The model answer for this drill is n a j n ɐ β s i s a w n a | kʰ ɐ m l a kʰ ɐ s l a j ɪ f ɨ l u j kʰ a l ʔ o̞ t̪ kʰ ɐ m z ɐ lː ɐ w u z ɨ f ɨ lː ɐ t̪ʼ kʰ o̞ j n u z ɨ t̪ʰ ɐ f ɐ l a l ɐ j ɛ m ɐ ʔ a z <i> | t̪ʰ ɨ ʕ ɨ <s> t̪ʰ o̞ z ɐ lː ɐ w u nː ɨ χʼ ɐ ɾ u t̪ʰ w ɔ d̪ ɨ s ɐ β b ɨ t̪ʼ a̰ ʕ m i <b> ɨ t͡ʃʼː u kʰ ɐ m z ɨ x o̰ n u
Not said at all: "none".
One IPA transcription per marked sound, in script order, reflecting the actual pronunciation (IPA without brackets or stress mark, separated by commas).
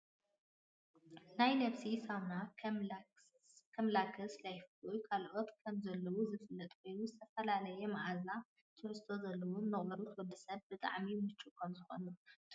a, s, m